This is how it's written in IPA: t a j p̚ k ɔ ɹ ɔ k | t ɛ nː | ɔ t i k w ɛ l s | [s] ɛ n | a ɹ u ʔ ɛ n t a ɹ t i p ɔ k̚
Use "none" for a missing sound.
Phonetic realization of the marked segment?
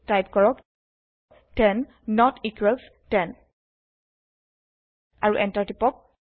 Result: t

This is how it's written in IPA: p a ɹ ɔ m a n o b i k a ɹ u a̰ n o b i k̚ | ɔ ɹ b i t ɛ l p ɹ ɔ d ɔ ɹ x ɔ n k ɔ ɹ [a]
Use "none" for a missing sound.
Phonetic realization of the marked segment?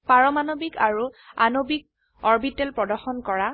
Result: a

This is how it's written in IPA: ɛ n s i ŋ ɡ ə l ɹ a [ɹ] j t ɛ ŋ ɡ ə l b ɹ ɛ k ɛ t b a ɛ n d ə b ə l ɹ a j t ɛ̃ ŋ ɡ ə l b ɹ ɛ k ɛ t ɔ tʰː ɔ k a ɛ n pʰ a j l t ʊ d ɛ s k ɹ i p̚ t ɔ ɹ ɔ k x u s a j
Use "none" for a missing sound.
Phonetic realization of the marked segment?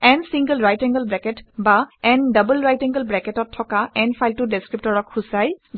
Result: none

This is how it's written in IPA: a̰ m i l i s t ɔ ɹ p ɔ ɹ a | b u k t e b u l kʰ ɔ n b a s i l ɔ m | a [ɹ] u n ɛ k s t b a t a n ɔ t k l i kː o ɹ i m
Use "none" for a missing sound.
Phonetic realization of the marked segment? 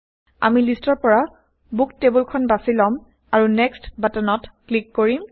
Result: ɹ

